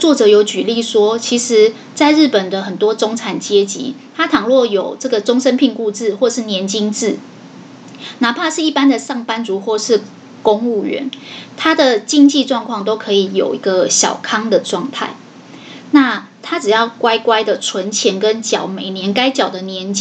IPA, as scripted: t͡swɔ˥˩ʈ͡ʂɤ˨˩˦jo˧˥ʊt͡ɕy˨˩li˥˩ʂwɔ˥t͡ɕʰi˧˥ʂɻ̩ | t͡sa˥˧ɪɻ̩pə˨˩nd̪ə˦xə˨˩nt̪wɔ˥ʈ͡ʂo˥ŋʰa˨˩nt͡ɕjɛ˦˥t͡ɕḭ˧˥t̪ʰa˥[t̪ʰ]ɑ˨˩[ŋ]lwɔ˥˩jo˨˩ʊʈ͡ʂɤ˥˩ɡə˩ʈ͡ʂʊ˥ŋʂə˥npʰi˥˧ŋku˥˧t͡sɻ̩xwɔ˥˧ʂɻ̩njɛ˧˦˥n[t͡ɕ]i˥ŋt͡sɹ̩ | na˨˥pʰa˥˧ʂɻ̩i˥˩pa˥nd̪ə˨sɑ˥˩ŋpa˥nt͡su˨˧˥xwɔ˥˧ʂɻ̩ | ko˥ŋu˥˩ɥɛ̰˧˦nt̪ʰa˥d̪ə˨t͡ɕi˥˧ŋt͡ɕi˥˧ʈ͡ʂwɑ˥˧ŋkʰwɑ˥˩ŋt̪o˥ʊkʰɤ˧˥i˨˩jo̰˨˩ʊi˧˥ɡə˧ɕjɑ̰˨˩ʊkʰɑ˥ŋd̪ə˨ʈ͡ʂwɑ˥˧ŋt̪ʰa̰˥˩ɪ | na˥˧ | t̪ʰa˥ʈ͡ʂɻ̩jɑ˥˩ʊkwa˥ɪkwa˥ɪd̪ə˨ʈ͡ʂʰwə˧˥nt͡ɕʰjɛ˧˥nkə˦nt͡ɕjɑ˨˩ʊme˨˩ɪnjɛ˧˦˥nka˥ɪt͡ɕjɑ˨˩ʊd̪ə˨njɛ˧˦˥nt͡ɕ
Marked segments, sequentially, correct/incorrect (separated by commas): correct, correct, correct